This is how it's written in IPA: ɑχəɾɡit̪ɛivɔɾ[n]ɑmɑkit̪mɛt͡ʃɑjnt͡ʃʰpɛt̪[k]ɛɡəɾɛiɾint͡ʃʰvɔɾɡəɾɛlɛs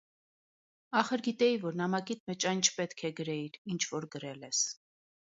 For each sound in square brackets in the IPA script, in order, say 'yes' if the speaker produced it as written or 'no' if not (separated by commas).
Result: yes, no